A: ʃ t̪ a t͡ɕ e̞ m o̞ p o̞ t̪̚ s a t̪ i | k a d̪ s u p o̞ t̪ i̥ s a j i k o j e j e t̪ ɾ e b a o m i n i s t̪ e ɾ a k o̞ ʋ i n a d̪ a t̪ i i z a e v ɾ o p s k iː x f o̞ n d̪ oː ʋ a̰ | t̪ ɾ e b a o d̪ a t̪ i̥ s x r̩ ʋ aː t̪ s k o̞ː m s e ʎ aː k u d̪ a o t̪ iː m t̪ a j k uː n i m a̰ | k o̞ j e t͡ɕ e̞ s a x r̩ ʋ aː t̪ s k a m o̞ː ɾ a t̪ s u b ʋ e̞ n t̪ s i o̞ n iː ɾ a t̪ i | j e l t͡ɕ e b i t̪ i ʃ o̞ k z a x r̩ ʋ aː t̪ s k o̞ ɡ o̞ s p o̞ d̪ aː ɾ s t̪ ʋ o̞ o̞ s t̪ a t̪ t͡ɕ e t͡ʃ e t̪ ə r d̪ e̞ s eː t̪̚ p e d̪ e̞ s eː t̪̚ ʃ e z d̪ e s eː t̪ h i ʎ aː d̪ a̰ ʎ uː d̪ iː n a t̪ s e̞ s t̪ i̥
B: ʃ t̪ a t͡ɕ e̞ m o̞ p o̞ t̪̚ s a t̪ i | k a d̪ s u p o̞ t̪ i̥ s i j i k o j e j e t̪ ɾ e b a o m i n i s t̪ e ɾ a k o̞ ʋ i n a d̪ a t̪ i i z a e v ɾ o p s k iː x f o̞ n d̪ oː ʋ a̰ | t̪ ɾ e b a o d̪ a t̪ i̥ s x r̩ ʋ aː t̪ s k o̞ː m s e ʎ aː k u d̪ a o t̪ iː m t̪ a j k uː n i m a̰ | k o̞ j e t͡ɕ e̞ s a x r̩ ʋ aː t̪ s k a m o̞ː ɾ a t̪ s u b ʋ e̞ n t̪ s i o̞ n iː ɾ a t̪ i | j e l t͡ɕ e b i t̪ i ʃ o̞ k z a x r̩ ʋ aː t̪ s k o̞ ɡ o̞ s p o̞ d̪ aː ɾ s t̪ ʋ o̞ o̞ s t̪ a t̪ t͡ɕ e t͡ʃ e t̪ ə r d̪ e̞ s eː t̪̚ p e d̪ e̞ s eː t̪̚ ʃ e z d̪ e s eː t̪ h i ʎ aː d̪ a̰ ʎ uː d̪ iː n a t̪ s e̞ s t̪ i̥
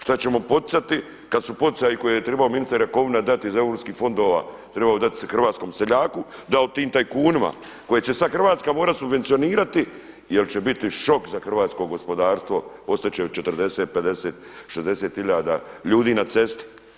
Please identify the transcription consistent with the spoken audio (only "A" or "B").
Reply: A